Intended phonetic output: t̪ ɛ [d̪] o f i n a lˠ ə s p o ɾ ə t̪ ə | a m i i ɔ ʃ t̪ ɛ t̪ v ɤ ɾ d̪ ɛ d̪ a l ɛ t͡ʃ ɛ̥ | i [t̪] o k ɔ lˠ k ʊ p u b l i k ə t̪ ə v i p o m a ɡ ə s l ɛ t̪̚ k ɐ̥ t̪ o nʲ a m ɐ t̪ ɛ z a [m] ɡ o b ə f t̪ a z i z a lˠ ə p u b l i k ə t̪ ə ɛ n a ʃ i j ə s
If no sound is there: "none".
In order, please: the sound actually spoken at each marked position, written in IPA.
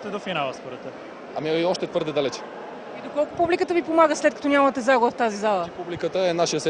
d̪, d̪, none

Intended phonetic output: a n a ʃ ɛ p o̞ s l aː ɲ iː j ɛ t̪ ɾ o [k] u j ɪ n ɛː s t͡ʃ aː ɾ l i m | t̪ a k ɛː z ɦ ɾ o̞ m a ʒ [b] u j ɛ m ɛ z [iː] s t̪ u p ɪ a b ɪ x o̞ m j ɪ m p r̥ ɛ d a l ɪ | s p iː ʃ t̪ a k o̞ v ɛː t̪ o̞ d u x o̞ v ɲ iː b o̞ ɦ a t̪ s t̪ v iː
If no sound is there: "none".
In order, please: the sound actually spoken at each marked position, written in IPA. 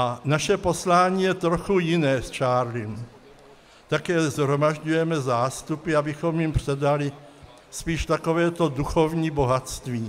x, ɟ, aː

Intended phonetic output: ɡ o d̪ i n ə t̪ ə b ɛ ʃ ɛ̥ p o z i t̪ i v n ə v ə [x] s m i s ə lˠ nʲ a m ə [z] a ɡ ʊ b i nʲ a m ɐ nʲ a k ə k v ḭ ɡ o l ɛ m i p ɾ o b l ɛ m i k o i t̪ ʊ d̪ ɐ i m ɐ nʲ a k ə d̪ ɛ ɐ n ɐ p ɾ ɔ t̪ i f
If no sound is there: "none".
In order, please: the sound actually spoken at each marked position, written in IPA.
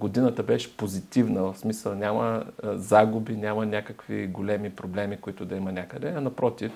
f, z

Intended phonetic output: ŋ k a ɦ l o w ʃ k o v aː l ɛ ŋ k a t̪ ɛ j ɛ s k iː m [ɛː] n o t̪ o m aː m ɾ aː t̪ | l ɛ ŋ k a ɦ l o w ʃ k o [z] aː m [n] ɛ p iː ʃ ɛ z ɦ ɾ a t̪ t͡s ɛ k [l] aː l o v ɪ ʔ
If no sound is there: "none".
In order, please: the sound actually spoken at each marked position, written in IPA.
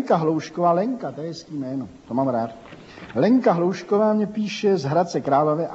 ɛː, v, ɲ, ɾ

